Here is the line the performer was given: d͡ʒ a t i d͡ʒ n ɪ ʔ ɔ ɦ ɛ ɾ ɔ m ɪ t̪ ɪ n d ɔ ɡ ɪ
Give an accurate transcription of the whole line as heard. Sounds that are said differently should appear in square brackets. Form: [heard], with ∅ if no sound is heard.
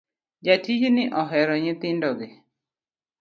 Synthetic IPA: d͡ʒ a t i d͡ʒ n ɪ ʔ ɔ ɦ ɛ ɾ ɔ [ɲ] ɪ t̪ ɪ n d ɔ ɡ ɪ